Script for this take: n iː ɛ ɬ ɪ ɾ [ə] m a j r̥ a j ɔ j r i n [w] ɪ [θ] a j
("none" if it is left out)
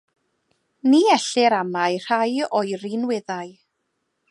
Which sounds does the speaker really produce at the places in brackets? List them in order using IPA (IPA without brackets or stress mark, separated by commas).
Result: a, w, ð